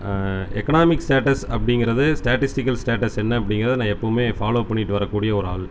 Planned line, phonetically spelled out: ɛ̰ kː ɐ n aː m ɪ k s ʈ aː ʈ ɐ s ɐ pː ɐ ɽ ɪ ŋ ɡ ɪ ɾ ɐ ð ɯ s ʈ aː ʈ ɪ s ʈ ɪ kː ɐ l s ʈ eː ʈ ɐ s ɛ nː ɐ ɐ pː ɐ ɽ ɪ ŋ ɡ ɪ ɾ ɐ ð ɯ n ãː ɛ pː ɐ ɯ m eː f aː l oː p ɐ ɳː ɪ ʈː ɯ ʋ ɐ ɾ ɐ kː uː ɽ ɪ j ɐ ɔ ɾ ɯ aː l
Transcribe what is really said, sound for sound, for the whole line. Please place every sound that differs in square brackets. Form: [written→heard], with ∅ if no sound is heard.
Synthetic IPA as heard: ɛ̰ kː ɐ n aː m ɪ k s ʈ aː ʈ ɐ s ɐ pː ɐ ɽ ɪ ŋ ɡ ɪ ɾ ɐ ð ɯ s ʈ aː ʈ ɪ s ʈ ɪ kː ɐ l s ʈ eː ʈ ɐ s ɛ nː ɐ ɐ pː ɐ ɽ ɪ ŋ ɡ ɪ ɾ ɐ ð ɯ n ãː ɛ pː ɐ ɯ m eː f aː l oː p ɐ ɳː ɪ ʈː ɯ ʋ ɐ ɾ ɐ kː uː ɽ ɪ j ɐ ɔ ɾ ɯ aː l